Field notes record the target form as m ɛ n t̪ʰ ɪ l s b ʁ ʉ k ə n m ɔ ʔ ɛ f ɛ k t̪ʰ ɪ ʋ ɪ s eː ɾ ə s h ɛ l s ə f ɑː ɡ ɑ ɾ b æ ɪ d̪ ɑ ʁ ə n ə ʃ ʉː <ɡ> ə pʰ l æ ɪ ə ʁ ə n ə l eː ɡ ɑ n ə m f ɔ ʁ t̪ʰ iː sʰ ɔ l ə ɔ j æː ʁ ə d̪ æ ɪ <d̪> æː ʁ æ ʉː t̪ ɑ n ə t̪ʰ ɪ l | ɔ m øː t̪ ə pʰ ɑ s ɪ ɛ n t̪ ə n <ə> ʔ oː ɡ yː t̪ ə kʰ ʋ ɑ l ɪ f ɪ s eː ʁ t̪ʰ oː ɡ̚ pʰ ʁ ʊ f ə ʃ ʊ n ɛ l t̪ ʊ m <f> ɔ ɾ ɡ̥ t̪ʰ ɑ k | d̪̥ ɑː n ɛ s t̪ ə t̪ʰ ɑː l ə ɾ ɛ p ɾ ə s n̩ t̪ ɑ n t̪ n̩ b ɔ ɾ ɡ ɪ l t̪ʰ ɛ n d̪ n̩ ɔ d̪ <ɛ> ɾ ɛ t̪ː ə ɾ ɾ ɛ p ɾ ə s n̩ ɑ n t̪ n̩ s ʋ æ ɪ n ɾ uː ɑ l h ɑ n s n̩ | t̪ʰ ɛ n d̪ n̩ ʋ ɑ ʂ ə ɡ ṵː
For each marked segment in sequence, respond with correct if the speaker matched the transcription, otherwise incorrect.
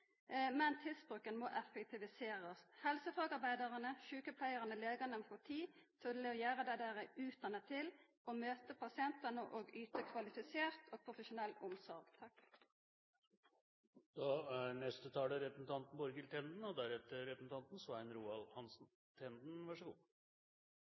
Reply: incorrect, correct, correct, incorrect, incorrect

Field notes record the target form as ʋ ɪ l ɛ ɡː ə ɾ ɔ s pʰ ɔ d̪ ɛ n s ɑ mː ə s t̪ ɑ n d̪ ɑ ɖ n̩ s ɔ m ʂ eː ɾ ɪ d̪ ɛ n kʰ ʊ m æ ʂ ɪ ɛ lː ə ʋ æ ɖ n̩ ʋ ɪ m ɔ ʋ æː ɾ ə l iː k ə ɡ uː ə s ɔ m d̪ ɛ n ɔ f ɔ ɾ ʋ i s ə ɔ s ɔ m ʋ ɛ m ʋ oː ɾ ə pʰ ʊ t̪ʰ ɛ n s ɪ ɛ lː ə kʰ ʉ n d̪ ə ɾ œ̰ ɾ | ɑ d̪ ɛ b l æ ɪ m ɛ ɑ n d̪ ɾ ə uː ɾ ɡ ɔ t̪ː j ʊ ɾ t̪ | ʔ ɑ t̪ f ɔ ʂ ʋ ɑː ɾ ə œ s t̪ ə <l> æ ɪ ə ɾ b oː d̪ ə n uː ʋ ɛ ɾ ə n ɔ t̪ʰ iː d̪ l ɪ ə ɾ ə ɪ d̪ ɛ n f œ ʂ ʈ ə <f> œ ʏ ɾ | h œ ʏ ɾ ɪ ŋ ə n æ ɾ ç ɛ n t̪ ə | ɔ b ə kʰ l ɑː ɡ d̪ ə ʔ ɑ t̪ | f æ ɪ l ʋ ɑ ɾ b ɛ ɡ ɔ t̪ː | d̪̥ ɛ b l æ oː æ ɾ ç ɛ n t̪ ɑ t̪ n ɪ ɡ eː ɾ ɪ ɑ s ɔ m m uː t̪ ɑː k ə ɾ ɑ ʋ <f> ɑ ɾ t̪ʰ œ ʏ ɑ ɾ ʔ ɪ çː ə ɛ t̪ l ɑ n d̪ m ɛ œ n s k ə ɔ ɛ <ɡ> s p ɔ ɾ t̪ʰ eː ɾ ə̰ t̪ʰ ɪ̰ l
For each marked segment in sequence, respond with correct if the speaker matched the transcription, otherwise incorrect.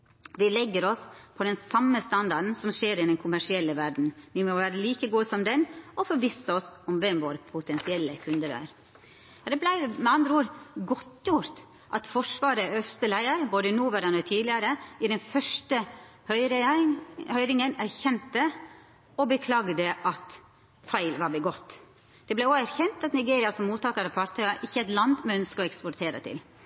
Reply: correct, incorrect, correct, incorrect

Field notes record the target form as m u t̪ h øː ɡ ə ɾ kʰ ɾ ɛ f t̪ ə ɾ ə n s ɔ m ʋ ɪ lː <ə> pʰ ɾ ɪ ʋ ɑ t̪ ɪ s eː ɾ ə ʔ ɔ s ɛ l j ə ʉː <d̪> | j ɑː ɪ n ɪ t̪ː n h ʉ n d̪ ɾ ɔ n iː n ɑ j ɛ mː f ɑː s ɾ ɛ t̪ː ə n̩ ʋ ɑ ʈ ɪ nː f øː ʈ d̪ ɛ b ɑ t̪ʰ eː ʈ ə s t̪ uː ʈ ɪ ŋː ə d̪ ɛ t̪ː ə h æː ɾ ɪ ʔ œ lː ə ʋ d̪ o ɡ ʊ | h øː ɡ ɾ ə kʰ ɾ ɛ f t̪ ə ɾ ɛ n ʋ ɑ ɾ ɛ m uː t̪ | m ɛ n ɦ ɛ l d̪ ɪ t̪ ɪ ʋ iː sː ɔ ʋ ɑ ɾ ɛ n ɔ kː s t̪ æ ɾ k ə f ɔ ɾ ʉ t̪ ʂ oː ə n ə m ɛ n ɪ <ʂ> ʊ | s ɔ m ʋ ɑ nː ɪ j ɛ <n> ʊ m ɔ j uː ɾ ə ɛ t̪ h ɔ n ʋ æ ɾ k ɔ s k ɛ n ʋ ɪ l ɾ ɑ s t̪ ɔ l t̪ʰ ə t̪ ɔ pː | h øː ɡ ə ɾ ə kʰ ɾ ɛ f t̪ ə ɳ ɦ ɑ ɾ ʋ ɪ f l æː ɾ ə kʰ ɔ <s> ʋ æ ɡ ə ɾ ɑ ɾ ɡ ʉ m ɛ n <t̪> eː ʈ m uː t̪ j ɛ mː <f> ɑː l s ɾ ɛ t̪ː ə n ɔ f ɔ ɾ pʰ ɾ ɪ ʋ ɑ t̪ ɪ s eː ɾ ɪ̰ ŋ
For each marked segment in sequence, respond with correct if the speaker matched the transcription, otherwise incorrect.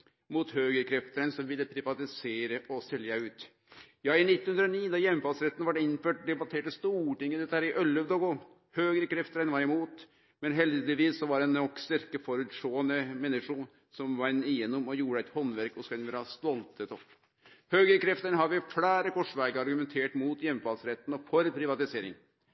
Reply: correct, incorrect, correct, incorrect, incorrect, incorrect, correct

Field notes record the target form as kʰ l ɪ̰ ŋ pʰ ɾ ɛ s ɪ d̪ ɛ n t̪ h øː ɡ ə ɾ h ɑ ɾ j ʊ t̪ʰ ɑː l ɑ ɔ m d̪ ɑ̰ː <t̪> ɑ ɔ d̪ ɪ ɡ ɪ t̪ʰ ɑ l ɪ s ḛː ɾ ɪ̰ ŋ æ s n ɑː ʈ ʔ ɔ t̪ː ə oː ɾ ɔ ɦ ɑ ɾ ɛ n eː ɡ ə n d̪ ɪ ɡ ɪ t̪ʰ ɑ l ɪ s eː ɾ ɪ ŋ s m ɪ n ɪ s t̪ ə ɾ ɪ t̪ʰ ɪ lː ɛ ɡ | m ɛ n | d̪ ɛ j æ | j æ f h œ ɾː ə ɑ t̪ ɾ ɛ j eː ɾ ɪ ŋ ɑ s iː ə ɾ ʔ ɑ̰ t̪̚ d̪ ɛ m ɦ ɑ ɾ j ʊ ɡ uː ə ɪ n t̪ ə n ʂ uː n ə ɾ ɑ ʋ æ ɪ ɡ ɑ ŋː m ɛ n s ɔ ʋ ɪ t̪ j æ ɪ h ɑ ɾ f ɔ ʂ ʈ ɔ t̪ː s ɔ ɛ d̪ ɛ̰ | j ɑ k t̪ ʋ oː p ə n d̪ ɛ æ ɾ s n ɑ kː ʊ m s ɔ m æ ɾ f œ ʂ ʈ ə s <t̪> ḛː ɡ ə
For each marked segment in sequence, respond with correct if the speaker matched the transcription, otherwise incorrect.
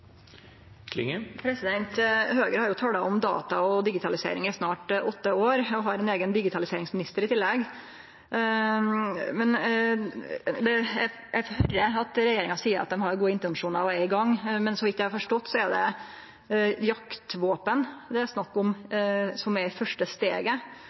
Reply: correct, correct

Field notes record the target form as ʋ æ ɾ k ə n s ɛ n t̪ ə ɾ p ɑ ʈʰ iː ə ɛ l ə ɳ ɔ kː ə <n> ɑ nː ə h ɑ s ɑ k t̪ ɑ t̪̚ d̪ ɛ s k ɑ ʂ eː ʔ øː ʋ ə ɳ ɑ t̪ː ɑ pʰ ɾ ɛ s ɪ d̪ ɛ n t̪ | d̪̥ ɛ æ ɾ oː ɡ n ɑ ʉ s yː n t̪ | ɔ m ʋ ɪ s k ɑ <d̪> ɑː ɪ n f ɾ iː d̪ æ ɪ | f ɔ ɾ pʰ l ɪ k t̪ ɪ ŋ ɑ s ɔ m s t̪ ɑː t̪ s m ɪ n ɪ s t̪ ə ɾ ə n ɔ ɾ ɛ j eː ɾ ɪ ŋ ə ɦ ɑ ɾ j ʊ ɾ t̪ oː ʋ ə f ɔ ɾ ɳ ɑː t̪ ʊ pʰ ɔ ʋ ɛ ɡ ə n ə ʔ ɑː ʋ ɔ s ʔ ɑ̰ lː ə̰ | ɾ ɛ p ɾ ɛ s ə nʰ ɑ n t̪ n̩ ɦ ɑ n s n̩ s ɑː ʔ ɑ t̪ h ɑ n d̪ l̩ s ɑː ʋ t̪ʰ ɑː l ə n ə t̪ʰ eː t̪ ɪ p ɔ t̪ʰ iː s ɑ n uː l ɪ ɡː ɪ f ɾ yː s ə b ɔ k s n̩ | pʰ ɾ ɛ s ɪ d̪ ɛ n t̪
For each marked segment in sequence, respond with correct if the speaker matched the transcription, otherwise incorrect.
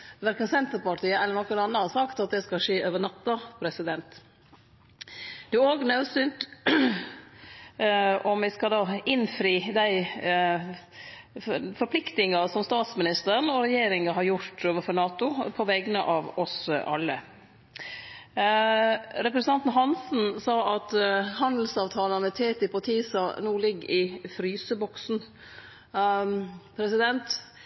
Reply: correct, correct

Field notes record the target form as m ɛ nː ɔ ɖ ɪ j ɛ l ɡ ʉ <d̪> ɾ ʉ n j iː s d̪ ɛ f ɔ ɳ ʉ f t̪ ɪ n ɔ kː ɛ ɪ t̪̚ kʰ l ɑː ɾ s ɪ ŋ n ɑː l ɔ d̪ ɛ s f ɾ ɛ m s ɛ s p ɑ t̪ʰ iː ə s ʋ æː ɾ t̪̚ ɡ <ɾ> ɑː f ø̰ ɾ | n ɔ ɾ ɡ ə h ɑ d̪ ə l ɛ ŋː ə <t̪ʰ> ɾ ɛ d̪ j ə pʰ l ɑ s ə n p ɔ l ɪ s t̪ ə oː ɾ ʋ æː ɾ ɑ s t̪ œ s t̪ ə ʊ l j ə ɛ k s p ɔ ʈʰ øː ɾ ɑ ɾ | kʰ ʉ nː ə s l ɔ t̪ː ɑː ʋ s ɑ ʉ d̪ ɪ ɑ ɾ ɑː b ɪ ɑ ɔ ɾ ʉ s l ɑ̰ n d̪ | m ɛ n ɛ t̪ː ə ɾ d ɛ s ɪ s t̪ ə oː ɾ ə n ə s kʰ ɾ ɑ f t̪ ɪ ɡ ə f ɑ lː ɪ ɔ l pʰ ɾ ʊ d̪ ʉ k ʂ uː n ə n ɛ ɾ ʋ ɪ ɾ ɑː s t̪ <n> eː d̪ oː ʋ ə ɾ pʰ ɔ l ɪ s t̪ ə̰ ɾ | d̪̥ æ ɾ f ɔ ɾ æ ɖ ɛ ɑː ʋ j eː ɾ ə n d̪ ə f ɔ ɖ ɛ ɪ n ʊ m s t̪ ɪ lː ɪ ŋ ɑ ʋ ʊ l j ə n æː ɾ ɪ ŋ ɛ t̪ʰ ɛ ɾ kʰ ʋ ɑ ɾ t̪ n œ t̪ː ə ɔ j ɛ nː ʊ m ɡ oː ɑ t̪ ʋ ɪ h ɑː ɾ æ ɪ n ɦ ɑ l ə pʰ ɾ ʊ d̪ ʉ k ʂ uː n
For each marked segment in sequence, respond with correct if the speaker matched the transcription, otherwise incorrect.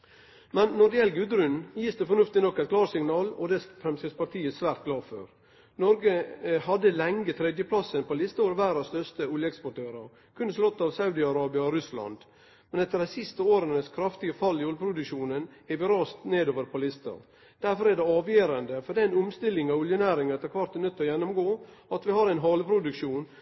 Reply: correct, incorrect, correct, correct

